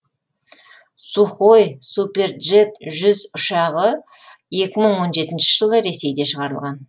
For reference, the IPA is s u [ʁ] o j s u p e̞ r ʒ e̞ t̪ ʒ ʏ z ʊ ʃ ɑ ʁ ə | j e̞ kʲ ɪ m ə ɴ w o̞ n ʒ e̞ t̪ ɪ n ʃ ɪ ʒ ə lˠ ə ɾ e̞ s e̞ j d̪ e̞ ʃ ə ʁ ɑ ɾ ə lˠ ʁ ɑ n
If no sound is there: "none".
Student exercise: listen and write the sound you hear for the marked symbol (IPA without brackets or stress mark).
χ